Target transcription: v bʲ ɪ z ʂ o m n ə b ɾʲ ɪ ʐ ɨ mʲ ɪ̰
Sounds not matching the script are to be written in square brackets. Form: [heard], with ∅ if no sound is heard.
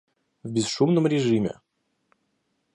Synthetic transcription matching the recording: v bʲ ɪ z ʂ [u] m n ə [m] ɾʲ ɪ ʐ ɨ mʲ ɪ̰